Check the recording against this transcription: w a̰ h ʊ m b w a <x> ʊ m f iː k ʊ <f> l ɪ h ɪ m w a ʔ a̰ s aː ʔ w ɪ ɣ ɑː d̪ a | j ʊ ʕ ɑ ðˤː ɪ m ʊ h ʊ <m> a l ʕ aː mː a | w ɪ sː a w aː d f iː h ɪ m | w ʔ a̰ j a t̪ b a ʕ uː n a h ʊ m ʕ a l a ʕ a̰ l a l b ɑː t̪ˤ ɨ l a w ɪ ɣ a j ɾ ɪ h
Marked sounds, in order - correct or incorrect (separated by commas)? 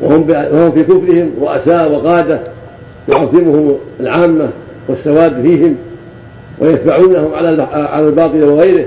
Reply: incorrect, correct, correct